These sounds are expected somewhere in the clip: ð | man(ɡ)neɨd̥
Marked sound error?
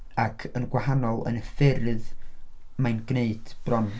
no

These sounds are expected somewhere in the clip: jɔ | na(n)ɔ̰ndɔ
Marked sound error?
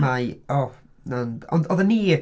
no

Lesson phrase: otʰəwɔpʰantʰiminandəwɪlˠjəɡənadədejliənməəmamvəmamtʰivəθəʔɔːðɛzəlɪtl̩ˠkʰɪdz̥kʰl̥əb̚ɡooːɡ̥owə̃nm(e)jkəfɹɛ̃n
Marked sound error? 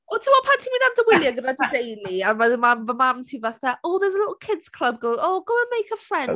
no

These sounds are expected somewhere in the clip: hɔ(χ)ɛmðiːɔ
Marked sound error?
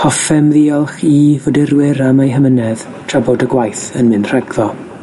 yes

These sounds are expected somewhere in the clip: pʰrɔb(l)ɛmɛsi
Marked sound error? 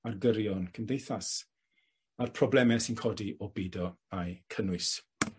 no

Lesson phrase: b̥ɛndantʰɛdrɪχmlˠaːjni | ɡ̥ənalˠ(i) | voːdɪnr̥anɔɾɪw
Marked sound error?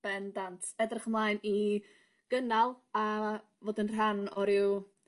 yes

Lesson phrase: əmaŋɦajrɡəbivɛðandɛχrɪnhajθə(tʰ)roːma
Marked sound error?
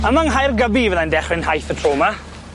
no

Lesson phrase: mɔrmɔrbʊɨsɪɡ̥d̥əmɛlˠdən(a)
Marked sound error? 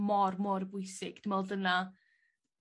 no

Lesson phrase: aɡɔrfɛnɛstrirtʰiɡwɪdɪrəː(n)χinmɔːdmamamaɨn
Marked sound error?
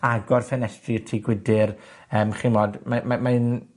yes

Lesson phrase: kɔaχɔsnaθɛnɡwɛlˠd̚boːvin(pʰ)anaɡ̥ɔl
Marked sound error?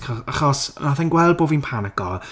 no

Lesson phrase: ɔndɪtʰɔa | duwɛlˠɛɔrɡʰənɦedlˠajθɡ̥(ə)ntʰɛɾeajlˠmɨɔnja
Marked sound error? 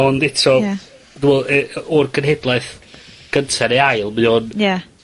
no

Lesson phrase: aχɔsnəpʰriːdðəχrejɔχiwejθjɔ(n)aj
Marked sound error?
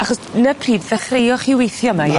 yes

